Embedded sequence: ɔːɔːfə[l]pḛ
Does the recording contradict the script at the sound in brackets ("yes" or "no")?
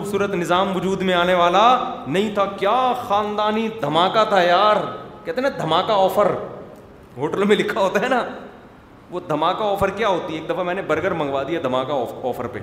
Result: yes